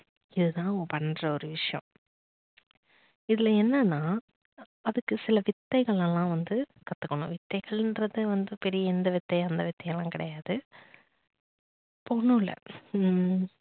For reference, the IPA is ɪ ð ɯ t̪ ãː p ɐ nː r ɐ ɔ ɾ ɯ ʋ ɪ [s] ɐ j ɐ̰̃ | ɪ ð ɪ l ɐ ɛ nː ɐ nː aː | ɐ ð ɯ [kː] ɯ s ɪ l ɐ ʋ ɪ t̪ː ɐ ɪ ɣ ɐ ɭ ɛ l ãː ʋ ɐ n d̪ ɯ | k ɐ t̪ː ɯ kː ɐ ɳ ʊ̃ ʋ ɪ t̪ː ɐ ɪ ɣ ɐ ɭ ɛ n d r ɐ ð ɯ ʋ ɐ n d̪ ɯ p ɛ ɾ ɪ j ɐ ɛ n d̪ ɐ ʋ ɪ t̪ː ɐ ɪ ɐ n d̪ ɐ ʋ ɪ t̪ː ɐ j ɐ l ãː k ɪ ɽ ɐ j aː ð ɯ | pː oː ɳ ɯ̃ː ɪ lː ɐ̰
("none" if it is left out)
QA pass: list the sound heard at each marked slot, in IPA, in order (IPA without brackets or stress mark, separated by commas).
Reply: ʂ, kː